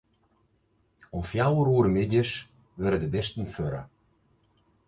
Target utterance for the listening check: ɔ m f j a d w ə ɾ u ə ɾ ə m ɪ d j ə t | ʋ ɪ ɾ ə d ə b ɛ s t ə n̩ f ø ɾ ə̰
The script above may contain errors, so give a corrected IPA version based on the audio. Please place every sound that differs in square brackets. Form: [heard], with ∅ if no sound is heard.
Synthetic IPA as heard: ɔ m f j a [∅] w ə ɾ u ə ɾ ə m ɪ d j ə [s] | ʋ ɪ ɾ ə d ə b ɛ s t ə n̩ f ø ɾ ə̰